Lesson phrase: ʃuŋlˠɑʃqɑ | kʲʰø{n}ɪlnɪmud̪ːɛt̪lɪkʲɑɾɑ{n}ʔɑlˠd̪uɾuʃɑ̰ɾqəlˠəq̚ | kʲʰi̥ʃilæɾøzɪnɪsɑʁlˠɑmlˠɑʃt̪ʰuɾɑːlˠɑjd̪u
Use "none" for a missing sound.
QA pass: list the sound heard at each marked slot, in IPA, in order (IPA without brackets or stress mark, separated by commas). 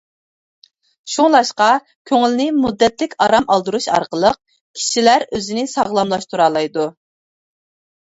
ŋ, m